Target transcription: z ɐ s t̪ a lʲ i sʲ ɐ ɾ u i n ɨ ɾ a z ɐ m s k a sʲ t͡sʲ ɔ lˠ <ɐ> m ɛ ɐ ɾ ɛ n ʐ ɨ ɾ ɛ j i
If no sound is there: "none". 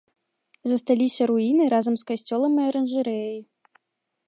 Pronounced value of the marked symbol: ɐ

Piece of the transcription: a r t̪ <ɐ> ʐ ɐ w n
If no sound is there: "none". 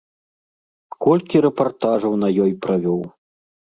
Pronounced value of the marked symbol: a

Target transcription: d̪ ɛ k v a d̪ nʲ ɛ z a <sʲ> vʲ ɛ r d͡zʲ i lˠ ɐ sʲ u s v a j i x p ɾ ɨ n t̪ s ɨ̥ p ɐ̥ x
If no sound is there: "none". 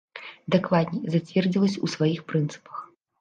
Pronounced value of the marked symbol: t͡sʲ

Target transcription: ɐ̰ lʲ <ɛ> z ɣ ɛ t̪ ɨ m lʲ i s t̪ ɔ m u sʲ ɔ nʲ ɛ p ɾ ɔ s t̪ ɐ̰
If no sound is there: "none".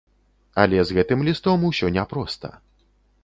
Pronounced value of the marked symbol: ɛ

